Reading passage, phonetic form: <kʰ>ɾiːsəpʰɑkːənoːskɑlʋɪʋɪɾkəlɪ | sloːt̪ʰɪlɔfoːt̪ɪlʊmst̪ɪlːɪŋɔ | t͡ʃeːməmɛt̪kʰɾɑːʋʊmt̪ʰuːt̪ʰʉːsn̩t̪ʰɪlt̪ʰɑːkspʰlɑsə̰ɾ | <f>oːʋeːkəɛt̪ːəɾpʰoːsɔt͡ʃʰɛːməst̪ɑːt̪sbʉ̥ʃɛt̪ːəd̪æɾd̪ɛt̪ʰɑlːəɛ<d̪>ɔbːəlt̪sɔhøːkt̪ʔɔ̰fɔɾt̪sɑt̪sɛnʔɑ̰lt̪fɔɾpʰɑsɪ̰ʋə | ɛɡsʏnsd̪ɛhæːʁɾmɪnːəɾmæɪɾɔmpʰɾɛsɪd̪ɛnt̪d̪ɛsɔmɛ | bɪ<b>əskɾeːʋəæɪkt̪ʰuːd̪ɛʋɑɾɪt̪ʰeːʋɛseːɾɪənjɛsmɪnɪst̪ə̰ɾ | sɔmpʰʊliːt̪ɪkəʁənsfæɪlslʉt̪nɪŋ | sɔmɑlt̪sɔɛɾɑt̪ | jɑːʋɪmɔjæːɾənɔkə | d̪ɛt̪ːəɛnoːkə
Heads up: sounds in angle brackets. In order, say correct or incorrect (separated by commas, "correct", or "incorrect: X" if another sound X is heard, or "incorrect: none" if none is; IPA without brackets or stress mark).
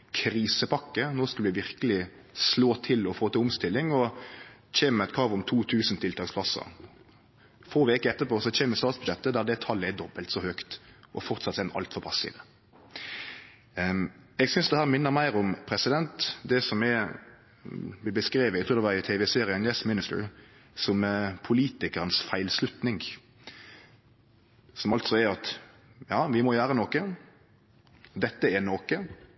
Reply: correct, correct, correct, correct